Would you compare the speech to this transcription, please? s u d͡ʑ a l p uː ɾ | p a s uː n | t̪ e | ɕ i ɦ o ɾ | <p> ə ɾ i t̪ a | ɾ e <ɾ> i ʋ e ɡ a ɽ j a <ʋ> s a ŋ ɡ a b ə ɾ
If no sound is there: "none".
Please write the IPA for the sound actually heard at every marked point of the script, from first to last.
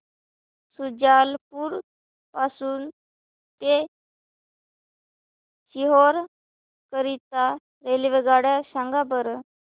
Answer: k, l, none

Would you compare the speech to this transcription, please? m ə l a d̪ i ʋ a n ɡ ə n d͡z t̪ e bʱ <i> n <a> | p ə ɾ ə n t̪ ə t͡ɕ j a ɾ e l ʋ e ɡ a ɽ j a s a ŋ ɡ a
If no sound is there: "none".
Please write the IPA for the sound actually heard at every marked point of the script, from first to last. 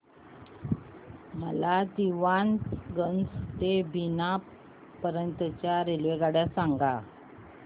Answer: i, a

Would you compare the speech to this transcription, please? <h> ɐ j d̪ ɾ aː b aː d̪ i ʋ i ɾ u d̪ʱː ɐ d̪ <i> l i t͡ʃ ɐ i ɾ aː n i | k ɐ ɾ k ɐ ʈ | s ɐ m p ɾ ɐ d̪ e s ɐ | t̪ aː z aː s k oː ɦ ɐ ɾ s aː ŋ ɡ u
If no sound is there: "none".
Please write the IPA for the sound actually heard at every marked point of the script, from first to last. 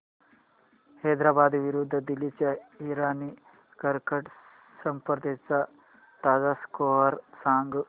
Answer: h, i

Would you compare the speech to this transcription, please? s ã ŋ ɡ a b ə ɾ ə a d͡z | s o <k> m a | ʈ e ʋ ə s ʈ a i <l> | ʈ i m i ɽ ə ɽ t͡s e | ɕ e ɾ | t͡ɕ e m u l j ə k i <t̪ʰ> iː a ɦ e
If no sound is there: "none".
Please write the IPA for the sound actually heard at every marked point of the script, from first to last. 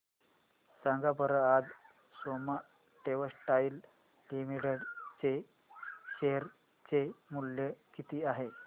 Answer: none, l, t̪

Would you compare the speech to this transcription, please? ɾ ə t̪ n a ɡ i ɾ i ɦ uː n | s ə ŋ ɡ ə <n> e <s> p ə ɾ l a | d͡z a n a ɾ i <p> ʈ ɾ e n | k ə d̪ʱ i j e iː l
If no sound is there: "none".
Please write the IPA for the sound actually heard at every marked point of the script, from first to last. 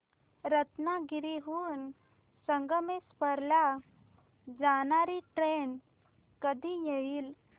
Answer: m, s, none

